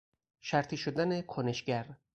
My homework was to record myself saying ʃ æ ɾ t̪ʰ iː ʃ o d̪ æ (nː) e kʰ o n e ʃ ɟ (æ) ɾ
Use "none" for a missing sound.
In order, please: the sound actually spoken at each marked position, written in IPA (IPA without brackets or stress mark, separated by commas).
n, æ